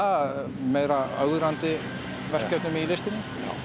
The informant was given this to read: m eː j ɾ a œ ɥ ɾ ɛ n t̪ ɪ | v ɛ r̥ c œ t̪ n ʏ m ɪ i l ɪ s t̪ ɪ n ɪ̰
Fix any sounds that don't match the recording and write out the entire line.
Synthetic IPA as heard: m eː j ɾ a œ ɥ ɾ a n t̪ ɪ | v ɛ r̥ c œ t̪ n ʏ m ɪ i l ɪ s t̪ ɪ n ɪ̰